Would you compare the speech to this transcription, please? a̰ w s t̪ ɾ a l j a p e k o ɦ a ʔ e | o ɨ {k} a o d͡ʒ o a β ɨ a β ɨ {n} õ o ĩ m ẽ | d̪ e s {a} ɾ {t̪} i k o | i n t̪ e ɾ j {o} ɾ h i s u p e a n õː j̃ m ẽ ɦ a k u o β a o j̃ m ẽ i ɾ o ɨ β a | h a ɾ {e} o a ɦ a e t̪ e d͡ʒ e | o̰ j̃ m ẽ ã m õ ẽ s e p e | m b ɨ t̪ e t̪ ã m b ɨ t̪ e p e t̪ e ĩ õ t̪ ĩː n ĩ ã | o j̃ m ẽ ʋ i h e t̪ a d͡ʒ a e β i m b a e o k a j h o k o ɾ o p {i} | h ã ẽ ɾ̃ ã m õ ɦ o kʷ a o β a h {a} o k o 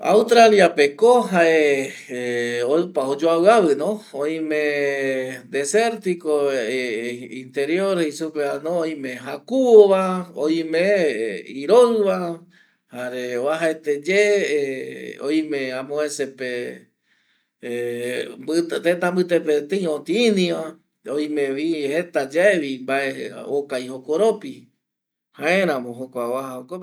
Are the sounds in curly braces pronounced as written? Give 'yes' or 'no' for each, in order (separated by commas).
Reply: no, yes, no, yes, yes, yes, yes, yes